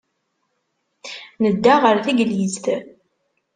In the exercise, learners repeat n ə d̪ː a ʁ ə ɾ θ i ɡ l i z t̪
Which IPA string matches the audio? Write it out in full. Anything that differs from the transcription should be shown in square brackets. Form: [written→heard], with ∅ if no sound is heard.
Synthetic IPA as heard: n ə d̪ː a ʁ ə ɾ θ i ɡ l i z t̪